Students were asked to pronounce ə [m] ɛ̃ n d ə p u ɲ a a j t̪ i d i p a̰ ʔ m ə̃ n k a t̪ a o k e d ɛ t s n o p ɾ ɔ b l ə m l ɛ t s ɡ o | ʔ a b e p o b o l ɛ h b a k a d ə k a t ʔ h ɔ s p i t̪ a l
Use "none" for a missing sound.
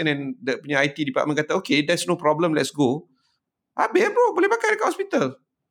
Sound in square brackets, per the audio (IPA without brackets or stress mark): n